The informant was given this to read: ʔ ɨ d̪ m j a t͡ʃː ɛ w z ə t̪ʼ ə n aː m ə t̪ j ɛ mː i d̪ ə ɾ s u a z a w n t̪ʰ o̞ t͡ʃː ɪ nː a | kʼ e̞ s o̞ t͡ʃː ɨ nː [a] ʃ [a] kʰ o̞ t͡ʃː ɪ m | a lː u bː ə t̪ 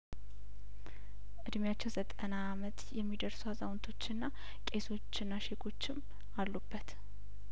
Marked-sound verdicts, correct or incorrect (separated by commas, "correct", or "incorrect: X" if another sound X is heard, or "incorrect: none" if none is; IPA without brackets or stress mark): correct, incorrect: e